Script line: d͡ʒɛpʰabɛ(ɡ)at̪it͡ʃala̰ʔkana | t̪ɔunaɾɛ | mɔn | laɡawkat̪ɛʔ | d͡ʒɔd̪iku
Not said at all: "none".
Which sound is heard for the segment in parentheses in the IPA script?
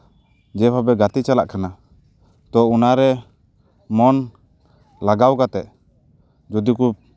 ɡ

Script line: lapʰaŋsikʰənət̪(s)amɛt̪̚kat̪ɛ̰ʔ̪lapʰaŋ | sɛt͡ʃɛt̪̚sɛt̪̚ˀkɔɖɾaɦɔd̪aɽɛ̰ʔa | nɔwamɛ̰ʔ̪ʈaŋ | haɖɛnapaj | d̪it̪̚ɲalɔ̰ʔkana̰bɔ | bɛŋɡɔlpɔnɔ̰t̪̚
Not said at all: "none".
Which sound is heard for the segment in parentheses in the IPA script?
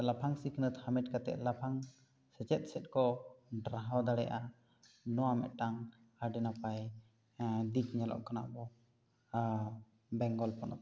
h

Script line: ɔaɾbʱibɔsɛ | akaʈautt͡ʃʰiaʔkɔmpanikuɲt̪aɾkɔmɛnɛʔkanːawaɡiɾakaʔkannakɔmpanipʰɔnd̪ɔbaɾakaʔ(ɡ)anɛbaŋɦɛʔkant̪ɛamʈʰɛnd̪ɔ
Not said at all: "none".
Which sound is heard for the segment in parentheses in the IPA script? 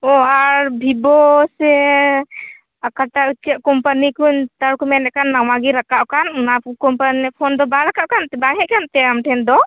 k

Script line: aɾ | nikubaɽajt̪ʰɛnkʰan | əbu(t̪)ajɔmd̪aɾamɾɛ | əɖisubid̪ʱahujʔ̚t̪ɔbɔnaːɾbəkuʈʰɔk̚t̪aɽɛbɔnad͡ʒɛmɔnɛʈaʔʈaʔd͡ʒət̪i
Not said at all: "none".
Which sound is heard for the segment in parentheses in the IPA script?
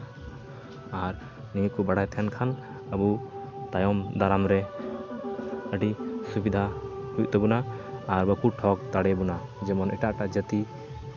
t̪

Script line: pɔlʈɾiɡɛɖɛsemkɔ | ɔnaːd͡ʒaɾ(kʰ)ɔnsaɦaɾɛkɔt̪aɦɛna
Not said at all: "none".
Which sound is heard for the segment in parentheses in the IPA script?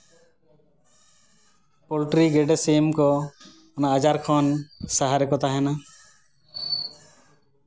kʰ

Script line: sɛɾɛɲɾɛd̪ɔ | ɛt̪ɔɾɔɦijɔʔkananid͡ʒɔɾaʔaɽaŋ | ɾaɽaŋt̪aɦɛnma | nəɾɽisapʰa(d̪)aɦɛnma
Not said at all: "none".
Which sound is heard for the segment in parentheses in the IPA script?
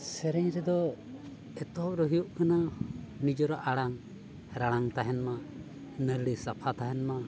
t̪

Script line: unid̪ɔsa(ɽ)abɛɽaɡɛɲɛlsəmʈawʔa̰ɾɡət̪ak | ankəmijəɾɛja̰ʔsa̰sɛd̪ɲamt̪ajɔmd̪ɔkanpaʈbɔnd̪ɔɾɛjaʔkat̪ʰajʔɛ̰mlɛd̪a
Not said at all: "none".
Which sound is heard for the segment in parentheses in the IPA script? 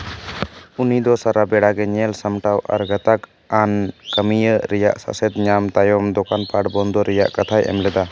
ɾ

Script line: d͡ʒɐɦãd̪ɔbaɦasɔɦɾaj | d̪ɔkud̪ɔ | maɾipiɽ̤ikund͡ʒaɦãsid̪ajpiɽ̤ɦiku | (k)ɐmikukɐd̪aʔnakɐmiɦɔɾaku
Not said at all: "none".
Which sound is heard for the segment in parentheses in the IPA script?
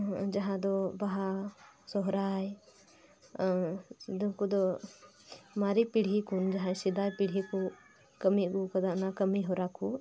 k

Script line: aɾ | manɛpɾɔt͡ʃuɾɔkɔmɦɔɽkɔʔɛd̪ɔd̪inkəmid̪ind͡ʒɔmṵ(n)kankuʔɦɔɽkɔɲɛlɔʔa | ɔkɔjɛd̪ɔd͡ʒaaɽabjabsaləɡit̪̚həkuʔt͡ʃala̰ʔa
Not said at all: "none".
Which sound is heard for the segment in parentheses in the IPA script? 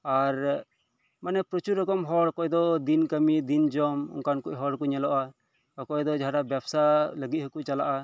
ŋ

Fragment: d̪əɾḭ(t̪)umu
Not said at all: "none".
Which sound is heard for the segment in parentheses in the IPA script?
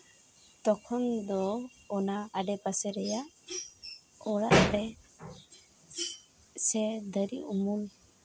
none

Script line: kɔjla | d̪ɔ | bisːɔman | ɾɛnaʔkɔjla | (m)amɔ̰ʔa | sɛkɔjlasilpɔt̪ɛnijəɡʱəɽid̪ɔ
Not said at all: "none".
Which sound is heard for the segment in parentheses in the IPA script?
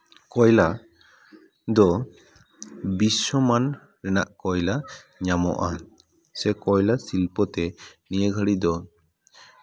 ɲ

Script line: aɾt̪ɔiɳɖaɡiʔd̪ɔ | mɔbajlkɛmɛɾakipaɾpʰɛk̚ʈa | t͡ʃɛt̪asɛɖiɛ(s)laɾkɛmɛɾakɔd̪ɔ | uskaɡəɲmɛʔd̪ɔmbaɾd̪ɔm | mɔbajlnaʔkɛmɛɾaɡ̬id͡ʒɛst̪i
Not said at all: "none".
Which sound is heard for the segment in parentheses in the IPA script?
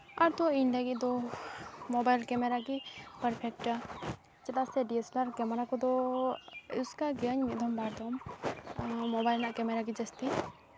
s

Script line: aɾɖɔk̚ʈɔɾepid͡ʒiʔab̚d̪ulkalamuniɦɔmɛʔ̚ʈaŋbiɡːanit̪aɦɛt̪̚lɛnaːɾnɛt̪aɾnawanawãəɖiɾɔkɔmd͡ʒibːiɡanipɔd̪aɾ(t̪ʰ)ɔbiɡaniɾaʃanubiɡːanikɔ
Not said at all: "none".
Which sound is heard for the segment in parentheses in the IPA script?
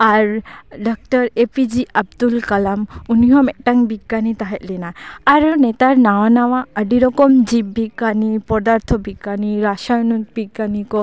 t̪ʰ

